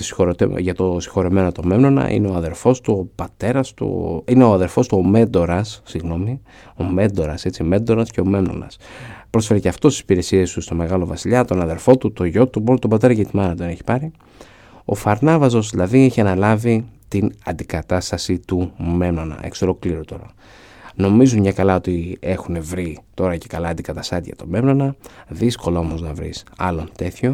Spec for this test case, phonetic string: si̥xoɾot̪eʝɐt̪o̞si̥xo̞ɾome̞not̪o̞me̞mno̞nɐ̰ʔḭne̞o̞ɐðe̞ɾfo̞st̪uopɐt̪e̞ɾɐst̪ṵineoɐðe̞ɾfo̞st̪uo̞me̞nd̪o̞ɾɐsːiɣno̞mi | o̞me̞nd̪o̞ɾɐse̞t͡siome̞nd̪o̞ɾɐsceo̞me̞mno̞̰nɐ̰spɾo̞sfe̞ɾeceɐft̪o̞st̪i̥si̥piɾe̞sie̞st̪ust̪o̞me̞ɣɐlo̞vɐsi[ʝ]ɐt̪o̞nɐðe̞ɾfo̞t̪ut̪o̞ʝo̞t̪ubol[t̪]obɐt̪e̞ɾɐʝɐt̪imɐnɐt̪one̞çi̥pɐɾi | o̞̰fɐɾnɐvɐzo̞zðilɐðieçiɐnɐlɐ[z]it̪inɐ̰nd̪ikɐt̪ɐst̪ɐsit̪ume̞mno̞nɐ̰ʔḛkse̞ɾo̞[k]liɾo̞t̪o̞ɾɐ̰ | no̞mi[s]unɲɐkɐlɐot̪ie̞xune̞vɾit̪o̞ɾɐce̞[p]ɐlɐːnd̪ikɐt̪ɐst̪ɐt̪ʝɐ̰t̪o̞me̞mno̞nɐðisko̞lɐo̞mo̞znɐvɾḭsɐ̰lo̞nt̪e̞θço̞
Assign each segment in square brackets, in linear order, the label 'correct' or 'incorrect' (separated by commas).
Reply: incorrect, correct, incorrect, correct, incorrect, incorrect